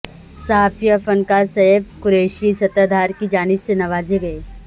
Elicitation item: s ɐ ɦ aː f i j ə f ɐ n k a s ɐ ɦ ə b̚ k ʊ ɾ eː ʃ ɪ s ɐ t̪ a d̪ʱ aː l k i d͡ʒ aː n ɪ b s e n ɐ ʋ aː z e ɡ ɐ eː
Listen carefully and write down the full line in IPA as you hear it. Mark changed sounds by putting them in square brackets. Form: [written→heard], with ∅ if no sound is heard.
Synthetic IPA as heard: s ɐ ɦ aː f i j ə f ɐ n k a s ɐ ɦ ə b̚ k ʊ ɾ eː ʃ [ɪ→i] s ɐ t̪ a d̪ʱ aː [l→ɾ] k i d͡ʒ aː n ɪ b s e n ɐ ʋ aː z e ɡ ɐ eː